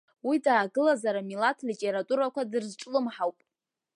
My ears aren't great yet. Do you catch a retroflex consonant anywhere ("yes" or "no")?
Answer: yes